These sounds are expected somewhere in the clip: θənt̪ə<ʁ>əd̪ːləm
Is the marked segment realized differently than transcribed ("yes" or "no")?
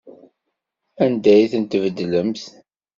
yes